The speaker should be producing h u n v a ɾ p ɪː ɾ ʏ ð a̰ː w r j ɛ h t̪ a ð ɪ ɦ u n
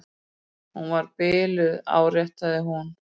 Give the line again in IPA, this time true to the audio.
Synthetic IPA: h u n v a ɾ p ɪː l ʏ ð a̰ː w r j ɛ h t̪ a ð ɪ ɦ u n